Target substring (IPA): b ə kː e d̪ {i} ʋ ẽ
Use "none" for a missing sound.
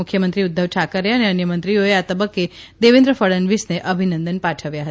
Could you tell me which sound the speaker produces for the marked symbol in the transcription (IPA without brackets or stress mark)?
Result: e